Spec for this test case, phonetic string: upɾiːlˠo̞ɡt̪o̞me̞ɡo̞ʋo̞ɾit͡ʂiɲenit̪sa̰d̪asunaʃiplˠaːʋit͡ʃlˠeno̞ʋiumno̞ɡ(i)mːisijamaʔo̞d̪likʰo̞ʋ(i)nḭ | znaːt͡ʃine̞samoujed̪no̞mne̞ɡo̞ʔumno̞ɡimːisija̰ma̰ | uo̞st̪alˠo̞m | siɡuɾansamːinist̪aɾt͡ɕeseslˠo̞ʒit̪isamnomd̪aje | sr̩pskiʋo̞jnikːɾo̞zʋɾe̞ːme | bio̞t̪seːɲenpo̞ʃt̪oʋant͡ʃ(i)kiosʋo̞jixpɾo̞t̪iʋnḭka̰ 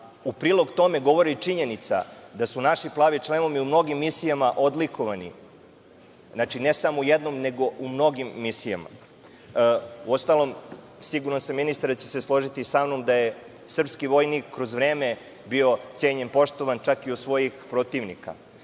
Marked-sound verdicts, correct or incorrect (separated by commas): correct, incorrect, incorrect